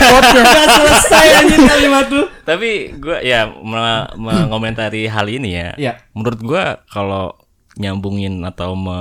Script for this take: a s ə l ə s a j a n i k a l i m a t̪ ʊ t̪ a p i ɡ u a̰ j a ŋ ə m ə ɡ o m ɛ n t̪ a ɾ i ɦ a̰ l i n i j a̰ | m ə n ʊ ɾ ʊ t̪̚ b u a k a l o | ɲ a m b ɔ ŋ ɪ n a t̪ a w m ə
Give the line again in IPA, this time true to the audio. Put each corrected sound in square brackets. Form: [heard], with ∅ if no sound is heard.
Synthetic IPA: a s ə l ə s a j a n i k a l i m a t̪ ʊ t̪ a p i ɡ u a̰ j a [m] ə m ə [ŋ] o m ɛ n t̪ a ɾ i ɦ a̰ l i n i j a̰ | m ə n [u] ɾ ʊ t̪̚ [ɡ] u a k a l o | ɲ a m b [u] ŋ ɪ n a t̪ a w m ə